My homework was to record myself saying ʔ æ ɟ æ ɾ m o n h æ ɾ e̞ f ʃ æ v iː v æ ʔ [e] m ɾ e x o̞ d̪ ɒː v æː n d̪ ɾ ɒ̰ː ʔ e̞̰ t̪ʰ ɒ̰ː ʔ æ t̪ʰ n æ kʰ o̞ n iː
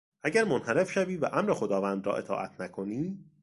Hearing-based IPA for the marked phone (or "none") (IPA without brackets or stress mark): æ